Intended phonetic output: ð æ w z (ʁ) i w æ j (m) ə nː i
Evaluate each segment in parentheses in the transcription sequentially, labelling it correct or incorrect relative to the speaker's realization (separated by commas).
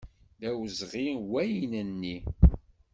correct, incorrect